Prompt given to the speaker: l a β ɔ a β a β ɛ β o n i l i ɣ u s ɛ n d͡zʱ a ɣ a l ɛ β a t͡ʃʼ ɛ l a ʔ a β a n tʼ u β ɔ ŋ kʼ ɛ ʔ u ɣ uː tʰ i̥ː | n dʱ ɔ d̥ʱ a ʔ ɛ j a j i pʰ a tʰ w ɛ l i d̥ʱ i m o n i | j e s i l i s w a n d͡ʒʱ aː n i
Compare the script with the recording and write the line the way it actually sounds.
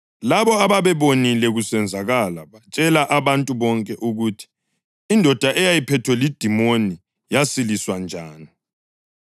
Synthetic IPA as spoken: l a β ɔ a β a β ɛ β o n i l ɛ ɣ u s ɛ n d͡zʱ a ɣ a l a β a t͡ʃʼ ɛ l a ʔ a β a n tʼ u β ɔ ŋ kʼ ɛ ʔ u ɣ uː tʰ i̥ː | n dʱ ɔ d̥ʱ a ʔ ɛ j a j i pʰ ɛ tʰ w ɛ l i d̥ʱ i m o n i | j a s i l i s w a n d͡ʒʱ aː n i